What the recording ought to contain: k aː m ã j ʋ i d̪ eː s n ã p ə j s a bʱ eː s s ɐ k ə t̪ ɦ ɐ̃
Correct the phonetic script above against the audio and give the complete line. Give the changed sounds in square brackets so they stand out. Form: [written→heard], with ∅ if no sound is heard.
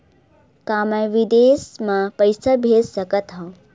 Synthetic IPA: k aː m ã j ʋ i d̪ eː s [n→m] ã p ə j s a bʱ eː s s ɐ k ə t̪ ɦ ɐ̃